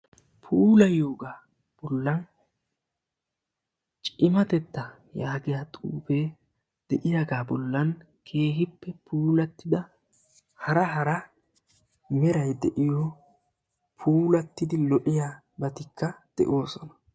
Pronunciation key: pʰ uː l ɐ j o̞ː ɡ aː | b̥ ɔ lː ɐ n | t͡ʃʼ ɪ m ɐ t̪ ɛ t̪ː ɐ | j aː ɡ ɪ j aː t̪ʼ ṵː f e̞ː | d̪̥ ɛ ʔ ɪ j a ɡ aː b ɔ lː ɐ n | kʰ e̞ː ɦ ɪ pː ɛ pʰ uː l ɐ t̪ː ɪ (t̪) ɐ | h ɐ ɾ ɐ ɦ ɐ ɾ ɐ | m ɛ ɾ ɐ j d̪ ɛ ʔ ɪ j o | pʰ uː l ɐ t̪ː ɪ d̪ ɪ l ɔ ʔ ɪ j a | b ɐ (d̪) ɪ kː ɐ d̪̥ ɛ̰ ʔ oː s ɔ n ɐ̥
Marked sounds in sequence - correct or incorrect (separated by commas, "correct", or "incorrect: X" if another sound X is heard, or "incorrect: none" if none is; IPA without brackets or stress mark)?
incorrect: d̪, incorrect: t̪